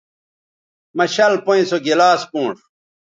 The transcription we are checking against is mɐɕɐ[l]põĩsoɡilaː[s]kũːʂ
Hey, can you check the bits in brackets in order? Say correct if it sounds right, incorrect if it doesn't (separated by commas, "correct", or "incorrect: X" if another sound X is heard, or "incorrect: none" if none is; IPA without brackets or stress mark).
correct, correct